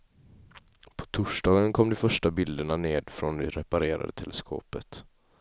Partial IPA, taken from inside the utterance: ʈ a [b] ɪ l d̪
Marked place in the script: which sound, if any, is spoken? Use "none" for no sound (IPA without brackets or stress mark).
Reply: b